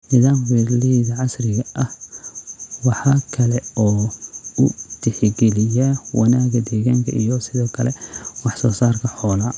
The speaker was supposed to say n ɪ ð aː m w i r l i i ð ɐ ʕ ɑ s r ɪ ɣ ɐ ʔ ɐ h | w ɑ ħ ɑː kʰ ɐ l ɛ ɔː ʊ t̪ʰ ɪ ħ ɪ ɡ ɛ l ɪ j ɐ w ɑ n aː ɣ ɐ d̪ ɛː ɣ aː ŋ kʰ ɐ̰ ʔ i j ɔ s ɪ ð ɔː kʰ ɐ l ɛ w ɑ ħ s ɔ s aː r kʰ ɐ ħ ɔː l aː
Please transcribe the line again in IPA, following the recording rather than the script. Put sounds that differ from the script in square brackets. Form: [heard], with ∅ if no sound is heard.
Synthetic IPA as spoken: n ɪ ð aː m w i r l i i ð ɐ ʕ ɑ s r ɪ ɣ ɐ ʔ ɐ h | w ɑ ħ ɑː kʰ ɐ l ɛ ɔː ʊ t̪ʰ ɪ ħ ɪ ɡ ɛ l ɪ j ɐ w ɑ n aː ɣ ɐ d̪ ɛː ɣ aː ŋ kʰ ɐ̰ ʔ i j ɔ s ɪ ð ɔː kʰ ɐ l ɛ w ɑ ħ s [ɔː] s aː r kʰ ɐ ħ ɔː l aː